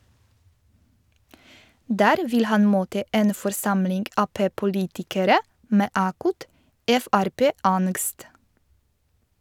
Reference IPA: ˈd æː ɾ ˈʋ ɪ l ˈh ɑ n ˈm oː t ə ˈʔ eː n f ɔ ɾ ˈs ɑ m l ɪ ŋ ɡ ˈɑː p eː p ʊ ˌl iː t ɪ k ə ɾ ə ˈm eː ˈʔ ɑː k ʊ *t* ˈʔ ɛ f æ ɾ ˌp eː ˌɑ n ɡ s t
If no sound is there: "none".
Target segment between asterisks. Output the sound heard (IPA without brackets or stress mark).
t